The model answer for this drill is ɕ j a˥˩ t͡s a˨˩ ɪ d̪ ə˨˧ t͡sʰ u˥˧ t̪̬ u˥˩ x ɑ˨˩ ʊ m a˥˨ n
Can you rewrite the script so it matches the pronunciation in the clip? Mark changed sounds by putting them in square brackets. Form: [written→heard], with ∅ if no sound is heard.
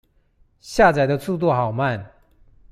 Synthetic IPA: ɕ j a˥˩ t͡s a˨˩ ɪ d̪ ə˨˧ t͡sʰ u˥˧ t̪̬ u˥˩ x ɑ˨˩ ʊ m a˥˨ n